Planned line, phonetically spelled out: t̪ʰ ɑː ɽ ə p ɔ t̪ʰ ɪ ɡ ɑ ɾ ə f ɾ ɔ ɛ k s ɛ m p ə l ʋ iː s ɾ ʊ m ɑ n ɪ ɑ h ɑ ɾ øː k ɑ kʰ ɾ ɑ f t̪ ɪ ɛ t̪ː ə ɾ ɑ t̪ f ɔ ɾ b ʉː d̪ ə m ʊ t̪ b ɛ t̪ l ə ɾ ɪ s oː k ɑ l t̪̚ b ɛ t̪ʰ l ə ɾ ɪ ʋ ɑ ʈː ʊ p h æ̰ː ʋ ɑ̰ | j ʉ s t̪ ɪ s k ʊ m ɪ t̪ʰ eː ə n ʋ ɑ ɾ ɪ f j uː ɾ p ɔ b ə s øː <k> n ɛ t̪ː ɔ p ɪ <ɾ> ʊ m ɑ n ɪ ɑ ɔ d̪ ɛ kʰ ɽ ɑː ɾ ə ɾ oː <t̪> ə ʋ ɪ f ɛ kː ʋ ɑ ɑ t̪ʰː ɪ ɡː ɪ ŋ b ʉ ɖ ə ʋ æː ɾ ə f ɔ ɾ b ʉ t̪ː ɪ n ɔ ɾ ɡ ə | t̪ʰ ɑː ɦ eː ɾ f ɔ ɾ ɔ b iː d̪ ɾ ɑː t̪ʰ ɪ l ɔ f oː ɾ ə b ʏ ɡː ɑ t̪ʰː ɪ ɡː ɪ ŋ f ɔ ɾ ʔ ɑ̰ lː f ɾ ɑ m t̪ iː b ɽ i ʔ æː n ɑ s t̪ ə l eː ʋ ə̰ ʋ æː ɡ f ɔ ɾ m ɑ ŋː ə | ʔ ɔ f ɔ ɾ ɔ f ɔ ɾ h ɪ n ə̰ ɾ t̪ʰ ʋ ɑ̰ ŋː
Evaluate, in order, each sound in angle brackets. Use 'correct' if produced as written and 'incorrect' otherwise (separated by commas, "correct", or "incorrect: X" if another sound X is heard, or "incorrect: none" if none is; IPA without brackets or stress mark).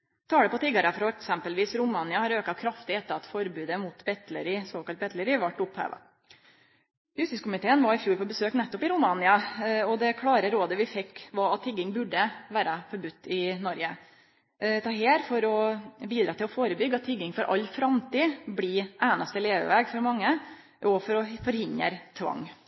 correct, correct, incorrect: d̪